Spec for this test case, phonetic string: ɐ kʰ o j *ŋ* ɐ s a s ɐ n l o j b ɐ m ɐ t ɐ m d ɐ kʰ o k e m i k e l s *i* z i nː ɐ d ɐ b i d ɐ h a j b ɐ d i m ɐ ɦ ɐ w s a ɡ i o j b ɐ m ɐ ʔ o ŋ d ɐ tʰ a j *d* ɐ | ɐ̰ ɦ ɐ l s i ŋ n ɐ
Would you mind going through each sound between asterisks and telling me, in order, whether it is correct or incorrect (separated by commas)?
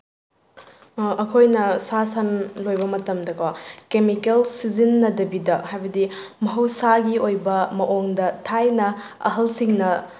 incorrect, correct, incorrect